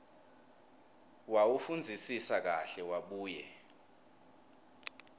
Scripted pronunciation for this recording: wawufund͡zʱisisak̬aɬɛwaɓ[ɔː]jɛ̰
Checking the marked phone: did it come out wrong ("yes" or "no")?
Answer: yes